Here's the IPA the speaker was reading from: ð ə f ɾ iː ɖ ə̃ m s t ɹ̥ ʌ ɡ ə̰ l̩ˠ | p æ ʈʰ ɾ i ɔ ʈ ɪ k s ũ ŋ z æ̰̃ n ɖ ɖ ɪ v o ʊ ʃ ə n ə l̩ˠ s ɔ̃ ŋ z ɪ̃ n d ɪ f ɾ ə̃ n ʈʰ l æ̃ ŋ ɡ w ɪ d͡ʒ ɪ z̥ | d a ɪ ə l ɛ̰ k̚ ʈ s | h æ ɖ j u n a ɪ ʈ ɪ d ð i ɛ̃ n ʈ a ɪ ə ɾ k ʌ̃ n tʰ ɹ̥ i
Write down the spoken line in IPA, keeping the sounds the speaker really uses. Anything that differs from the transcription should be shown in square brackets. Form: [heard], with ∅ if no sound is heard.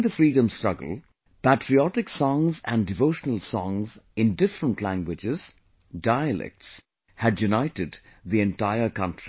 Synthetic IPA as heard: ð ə f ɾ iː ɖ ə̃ m s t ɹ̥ ʌ ɡ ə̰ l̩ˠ | p æ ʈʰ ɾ i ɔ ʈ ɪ k s [ɔ̃] ŋ z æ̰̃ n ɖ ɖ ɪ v o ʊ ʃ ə n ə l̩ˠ s ɔ̃ ŋ z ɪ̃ n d ɪ f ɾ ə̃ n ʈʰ l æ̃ ŋ ɡ w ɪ d͡ʒ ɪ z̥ | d a ɪ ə l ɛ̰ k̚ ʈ s | h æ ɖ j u n a ɪ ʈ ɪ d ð i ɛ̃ n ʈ a ɪ ə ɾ k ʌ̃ n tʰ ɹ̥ i